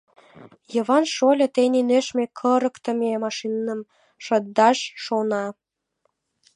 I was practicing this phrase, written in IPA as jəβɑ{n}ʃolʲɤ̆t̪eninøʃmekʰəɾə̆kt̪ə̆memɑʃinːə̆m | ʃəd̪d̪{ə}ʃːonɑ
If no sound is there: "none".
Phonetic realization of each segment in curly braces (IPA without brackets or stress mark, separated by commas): n, ɑ